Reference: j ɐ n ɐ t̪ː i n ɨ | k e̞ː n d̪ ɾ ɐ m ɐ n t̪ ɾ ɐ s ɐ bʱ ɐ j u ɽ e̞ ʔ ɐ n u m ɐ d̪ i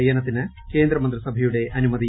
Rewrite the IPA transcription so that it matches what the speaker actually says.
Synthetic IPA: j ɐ n ɐ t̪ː i n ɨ | k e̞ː n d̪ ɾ ɐ m ɐ n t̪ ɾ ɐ s ɐ bʱ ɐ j u ɽ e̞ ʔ ɐ n u m ɐ d̪ i